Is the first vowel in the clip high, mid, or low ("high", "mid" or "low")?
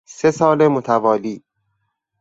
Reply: mid